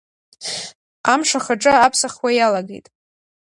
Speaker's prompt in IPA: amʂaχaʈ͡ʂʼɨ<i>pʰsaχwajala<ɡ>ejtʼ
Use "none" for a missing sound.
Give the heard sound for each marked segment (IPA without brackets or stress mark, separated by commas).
a, ɡ